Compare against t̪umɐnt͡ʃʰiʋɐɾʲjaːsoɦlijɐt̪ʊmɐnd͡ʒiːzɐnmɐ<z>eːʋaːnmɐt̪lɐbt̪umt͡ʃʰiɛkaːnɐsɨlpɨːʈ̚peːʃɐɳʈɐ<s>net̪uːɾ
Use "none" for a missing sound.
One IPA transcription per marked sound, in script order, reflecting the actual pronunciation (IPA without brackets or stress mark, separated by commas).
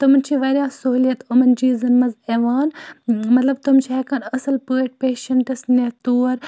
z, s